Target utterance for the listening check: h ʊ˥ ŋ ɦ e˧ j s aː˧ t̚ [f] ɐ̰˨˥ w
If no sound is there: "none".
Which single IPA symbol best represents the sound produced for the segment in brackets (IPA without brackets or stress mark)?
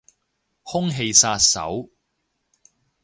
s